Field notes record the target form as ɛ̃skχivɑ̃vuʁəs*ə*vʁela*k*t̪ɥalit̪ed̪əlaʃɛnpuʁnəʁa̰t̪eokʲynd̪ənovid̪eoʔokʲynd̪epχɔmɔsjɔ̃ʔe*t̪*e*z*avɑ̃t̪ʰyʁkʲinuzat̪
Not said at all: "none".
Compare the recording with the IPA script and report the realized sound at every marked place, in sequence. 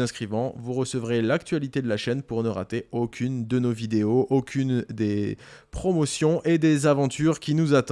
ə, k, d̪, z

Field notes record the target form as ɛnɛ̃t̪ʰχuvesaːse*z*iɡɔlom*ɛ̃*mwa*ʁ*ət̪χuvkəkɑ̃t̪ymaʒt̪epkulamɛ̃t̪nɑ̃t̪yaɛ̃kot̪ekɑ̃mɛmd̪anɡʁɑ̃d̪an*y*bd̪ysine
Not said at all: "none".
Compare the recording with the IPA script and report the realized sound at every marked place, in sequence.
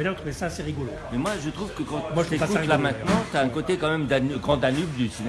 ʁ, ɛ, ʒ, y

